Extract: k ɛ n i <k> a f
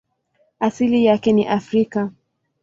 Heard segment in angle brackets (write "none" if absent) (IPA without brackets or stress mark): ʔ